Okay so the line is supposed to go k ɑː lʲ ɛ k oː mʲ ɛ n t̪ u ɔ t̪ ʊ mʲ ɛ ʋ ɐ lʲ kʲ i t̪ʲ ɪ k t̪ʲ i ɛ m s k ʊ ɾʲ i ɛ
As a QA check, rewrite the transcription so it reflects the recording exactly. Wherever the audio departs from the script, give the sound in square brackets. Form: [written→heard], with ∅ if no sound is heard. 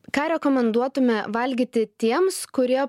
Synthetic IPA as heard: k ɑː [lʲ→ɾʲ] ɛ k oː mʲ ɛ n [t̪→d̪] u ɔ t̪ ʊ mʲ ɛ ʋ ɐ lʲ [kʲ→ɡʲ] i t̪ʲ ɪ [k→∅] t̪ʲ i ɛ m s k ʊ ɾʲ i ɛ

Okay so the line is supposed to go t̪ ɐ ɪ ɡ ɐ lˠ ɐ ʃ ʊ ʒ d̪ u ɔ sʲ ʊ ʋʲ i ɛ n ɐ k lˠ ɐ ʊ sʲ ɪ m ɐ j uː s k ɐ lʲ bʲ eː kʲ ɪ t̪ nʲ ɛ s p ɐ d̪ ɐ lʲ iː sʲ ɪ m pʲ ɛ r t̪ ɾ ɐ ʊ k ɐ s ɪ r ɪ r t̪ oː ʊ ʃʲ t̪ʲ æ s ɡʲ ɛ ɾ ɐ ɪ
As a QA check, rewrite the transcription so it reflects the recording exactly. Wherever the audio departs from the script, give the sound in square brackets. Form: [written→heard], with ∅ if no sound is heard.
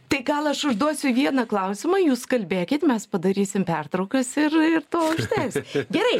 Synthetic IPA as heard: t̪ ɐ ɪ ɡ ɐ lˠ ɐ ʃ ʊ ʒ d̪ u ɔ sʲ ʊ ʋʲ i ɛ n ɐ k lˠ ɐ ʊ sʲ ɪ m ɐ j uː s k ɐ lʲ bʲ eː kʲ ɪ t̪ [nʲ→mʲ] ɛ s p ɐ d̪ ɐ [lʲ→ɾʲ] iː sʲ ɪ m pʲ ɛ r t̪ ɾ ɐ ʊ k ɐ s ɪ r ɪ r t̪ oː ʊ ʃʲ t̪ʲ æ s ɡʲ ɛ ɾ ɐ ɪ

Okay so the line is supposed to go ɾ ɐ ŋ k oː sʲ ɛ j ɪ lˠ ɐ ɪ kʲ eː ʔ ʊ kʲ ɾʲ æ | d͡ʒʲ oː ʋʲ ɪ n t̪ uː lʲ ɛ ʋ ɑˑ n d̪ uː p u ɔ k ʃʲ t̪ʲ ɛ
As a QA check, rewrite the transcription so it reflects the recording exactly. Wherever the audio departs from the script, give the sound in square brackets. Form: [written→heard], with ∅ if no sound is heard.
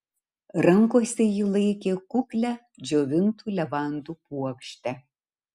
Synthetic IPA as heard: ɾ ɐ ŋ k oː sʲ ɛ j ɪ lˠ ɐ ɪ kʲ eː [ʔ→k] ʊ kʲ [ɾʲ→lʲ] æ | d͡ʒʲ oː ʋʲ ɪ n t̪ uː lʲ ɛ ʋ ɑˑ n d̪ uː p u ɔ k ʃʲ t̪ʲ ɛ

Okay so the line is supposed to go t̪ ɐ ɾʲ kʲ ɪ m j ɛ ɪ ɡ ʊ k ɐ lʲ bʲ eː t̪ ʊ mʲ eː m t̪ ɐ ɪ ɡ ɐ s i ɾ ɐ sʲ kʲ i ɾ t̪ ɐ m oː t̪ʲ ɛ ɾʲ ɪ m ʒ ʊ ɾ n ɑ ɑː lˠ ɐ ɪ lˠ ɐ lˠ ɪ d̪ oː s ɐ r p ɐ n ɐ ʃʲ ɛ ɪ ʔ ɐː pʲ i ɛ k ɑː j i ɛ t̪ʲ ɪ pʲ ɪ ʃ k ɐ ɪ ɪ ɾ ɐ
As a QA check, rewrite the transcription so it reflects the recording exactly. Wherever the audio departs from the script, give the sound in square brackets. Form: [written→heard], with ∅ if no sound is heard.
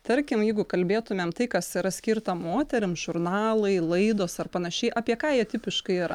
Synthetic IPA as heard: t̪ ɐ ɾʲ kʲ ɪ m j ɛ ɪ ɡ ʊ k ɐ lʲ bʲ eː t̪ ʊ mʲ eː m t̪ ɐ ɪ [ɡ→k] ɐ s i ɾ ɐ sʲ kʲ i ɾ t̪ ɐ m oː t̪ʲ ɛ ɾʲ ɪ m ʒ ʊ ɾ n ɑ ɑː lˠ ɐ ɪ lˠ ɐ [lˠ→∅] ɪ d̪ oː s ɐ r p ɐ n ɐ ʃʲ ɛ ɪ ʔ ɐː pʲ i ɛ k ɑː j i ɛ t̪ʲ ɪ pʲ ɪ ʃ k ɐ ɪ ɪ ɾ ɐ

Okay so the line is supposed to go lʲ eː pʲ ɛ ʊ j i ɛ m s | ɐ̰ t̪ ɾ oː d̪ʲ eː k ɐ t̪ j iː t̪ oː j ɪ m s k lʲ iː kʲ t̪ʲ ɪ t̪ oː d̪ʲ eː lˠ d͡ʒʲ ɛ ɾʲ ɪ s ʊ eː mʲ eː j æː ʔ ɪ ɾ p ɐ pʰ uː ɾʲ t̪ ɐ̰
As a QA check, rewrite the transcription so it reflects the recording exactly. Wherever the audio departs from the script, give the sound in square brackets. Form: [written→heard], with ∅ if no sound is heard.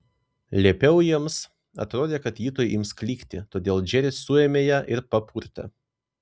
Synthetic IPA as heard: lʲ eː pʲ ɛ ʊ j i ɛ m s | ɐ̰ t̪ ɾ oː d̪ʲ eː k ɐ t̪ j iː t̪ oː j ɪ m s k lʲ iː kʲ t̪ʲ ɪ t̪ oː d̪ʲ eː lˠ d͡ʒʲ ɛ ɾʲ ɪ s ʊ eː mʲ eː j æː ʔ ɪ ɾ p ɐ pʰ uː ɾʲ t̪ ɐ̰

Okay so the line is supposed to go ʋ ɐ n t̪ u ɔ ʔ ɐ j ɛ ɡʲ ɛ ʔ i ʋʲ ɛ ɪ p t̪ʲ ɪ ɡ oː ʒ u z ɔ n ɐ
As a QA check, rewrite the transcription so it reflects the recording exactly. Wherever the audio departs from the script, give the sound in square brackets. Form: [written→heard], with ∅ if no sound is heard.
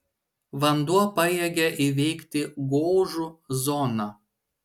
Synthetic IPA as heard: ʋ ɐ n [t̪→d̪] u ɔ [ʔ→p] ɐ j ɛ ɡʲ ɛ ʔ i ʋʲ ɛ ɪ [p→k] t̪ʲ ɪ ɡ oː ʒ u z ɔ n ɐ

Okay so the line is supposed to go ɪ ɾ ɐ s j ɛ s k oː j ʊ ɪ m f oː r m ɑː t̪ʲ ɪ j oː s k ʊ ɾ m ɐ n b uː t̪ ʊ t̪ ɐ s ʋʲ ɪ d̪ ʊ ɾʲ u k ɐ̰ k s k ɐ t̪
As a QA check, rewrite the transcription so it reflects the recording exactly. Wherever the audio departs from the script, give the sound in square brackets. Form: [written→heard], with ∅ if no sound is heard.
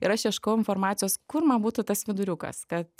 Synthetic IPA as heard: ɪ ɾ ɐ [s→ʃ] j ɛ [s→ʃ] k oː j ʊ ɪ [m→n] f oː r m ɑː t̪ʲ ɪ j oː s k ʊ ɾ m ɐ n b uː t̪ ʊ t̪ ɐ s ʋʲ ɪ d̪ ʊ ɾʲ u k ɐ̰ [k→∅] s k ɐ t̪

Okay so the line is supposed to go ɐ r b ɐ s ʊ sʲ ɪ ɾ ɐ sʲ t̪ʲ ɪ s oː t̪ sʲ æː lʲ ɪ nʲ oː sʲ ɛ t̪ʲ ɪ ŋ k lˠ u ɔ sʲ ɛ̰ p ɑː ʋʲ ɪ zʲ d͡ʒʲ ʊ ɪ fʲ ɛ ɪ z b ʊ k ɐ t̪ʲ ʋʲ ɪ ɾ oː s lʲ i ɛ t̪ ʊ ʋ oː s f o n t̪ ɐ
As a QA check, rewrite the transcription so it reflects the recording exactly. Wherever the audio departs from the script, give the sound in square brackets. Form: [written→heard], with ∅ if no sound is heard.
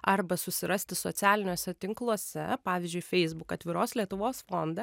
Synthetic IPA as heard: ɐ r b ɐ s ʊ sʲ ɪ ɾ ɐ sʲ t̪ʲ ɪ s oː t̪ sʲ æː lʲ ɪ nʲ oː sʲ ɛ t̪ʲ ɪ ŋ k lˠ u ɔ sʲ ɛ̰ p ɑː ʋʲ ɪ zʲ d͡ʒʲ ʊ ɪ fʲ ɛ ɪ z b ʊ k ɐ t̪ʲ ʋʲ ɪ ɾ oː s lʲ i ɛ t̪ ʊ ʋ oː s f o n [t̪→d̪] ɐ

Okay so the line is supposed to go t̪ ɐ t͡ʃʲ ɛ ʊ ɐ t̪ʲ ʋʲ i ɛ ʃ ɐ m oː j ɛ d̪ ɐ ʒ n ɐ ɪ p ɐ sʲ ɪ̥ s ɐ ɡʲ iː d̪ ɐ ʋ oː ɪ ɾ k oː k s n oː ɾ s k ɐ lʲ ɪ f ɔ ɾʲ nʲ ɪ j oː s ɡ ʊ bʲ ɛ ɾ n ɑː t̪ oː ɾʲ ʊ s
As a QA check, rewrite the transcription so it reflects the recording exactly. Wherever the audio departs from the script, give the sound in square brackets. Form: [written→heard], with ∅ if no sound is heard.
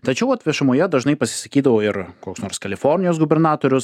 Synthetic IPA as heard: t̪ ɐ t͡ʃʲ ɛ ʊ ɐ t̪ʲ ʋʲ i ɛ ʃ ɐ m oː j ɛ d̪ ɐ ʒ n ɐ ɪ p ɐ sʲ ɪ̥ s ɐ [ɡʲ→kʲ] iː d̪ ɐ ʋ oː ɪ ɾ k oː k s n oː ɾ s k ɐ lʲ ɪ f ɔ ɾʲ nʲ ɪ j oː s ɡ ʊ bʲ ɛ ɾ n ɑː t̪ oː ɾʲ ʊ s

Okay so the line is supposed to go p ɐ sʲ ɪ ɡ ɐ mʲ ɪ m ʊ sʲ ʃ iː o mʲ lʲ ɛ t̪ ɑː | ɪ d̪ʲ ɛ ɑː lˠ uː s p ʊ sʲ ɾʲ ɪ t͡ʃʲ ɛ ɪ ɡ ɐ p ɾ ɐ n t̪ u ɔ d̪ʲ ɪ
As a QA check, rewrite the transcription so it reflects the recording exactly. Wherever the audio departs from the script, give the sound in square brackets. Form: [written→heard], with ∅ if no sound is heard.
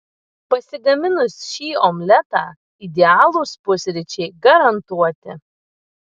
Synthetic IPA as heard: p ɐ sʲ ɪ ɡ ɐ mʲ ɪ [m→n] ʊ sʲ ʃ iː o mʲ lʲ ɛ t̪ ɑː | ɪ d̪ʲ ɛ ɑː lˠ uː s p ʊ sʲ ɾʲ ɪ t͡ʃʲ ɛ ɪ ɡ ɐ [p→∅] ɾ ɐ n t̪ u ɔ [d̪ʲ→t̪ʲ] ɪ

